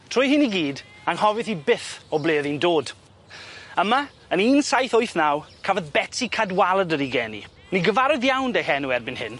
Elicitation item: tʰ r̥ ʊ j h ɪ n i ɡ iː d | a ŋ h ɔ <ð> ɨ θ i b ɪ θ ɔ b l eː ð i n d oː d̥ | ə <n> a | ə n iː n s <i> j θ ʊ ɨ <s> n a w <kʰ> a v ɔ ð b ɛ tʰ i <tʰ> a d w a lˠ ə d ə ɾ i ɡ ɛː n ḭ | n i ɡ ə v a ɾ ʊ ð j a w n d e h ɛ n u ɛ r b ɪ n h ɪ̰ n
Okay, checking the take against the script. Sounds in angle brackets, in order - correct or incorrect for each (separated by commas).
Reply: incorrect, incorrect, incorrect, incorrect, correct, incorrect